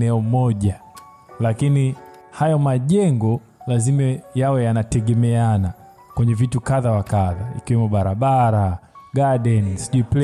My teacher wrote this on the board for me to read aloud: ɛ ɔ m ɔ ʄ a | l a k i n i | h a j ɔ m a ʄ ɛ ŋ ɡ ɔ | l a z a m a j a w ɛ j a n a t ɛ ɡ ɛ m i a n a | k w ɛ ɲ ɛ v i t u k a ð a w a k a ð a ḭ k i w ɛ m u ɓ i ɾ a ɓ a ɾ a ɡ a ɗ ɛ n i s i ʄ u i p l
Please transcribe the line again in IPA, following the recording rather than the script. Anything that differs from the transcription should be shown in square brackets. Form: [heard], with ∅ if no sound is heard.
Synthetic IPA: ɛ ɔ m ɔ ʄ a | l a k i n i | h a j ɔ m a ʄ ɛ ŋ ɡ ɔ | l a z [i] m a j a w ɛ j a n a t ɛ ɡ ɛ m [ɛ] a n a | k w ɛ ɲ ɛ v i t u k a ð a w a k a ð a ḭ k i w ɛ m u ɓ [a] ɾ a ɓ a ɾ a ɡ a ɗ ɛ n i s i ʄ u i p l